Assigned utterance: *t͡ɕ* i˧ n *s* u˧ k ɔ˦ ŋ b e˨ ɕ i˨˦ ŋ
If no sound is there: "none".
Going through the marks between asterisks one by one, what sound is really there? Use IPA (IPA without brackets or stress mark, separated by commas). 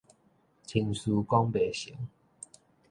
t͡ɕʰ, s